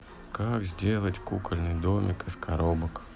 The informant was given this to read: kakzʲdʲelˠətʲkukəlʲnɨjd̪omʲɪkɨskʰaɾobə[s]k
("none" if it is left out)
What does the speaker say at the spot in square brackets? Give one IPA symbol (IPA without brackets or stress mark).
none